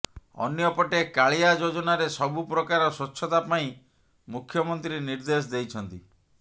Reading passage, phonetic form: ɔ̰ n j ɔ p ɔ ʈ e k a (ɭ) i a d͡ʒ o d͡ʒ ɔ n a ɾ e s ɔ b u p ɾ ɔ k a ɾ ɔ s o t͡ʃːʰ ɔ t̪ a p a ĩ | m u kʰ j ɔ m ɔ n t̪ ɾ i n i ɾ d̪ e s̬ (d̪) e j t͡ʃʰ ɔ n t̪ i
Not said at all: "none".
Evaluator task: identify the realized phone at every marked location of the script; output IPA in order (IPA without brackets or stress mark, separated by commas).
ɭ, d̪